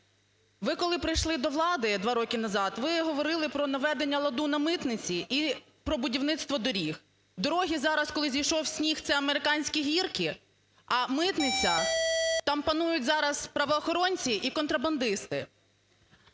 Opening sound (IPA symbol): ʋ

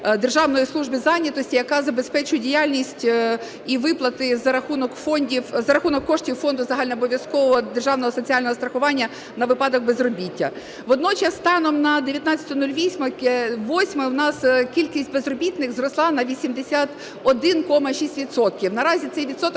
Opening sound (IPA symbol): d̪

